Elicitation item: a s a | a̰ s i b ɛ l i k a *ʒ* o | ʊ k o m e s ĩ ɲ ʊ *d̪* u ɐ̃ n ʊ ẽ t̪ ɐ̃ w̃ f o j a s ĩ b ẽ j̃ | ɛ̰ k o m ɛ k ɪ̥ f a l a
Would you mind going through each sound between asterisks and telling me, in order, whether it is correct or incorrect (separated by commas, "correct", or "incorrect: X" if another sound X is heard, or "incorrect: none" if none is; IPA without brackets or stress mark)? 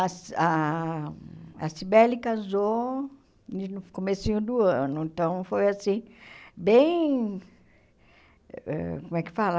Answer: incorrect: z, correct